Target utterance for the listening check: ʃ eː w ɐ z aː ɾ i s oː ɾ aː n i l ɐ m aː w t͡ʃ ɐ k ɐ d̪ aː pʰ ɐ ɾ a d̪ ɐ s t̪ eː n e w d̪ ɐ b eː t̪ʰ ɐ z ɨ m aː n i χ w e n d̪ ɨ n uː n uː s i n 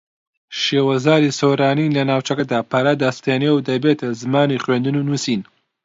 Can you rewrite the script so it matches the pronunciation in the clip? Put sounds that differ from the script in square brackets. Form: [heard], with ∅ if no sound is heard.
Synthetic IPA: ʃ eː w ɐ z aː ɾ i s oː ɾ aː n i l ɐ [n] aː w t͡ʃ ɐ k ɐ d̪ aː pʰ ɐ ɾ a d̪ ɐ s t̪ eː n e w d̪ ɐ b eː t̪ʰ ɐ z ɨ m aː n i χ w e n d̪ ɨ n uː n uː s i n